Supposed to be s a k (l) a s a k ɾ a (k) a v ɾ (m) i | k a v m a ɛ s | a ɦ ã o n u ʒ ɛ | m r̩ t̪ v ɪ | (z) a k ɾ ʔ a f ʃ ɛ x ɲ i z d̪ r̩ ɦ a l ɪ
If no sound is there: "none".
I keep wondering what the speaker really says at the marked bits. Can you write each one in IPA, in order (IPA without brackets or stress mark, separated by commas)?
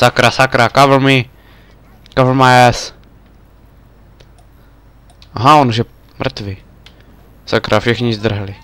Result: ɾ, k, m, s